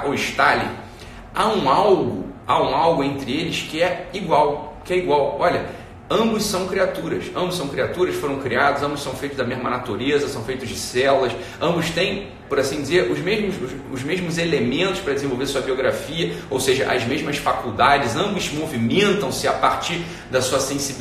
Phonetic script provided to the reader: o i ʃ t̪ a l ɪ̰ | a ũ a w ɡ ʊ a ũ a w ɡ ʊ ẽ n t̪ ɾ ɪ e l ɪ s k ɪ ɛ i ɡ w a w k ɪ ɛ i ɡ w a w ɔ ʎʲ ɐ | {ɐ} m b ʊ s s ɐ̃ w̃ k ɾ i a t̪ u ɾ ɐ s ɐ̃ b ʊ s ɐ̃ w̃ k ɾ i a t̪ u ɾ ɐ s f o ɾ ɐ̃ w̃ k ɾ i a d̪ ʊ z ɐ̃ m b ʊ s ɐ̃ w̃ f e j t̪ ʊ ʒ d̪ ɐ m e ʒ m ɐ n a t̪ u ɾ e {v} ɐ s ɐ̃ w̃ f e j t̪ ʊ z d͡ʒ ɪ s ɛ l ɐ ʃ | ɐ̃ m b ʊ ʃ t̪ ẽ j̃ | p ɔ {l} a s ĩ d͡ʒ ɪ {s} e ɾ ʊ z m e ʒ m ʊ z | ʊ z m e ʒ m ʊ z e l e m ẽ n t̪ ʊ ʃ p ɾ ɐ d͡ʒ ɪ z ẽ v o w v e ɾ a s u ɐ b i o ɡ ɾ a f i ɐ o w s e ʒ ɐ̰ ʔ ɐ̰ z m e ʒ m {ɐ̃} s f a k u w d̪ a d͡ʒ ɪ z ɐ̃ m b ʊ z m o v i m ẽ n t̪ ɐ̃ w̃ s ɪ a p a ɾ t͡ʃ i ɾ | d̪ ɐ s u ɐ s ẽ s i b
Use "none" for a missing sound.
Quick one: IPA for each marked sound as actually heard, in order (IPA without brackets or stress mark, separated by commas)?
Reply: ɐ̃, z, ɾ, z, ɐ